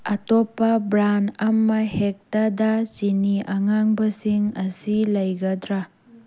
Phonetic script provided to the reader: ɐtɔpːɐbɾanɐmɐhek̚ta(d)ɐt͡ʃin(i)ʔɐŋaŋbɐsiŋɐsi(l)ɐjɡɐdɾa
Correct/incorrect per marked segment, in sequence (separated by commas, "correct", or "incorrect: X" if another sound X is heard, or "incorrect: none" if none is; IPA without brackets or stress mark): correct, correct, correct